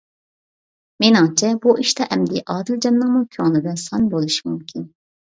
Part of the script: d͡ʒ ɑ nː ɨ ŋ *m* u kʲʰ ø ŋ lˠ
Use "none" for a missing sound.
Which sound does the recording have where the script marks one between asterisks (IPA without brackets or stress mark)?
m